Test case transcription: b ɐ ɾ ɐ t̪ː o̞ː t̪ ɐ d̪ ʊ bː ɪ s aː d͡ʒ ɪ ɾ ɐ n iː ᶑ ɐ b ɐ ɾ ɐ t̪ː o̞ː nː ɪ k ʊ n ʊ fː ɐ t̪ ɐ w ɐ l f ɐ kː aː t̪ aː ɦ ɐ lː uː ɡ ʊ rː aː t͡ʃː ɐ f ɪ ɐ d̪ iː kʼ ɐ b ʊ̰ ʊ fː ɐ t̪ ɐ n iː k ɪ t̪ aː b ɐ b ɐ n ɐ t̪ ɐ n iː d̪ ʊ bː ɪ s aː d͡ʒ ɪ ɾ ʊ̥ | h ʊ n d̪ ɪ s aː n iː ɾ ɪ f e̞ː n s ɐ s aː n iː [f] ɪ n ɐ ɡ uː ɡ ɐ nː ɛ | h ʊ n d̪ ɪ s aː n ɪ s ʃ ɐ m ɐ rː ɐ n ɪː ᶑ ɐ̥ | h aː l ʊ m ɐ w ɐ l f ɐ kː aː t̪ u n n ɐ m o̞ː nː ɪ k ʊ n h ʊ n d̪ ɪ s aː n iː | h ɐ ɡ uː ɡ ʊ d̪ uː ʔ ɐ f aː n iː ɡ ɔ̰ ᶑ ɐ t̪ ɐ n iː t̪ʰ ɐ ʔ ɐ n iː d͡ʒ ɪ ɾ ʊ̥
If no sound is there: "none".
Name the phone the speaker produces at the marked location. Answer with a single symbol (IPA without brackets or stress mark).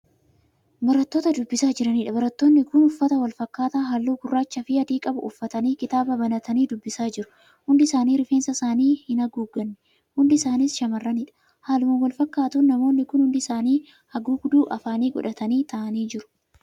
h